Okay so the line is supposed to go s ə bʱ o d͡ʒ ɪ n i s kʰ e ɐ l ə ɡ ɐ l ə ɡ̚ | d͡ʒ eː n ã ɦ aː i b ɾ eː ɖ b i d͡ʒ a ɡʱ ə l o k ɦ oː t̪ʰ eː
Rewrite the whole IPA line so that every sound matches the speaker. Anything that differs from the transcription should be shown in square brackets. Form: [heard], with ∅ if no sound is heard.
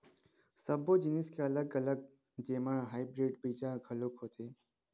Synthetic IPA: s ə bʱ o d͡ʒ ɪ n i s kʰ e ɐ l ə ɡ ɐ l ə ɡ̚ | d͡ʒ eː [m] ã ɦ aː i b ɾ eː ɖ b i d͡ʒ a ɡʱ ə l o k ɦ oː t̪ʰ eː